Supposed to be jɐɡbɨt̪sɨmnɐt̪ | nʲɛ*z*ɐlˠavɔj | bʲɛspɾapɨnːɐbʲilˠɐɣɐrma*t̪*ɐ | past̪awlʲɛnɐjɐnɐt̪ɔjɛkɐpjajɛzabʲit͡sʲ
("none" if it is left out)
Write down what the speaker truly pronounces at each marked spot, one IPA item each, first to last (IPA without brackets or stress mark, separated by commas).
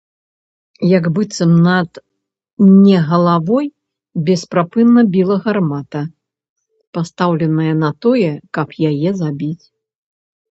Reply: ɣ, t̪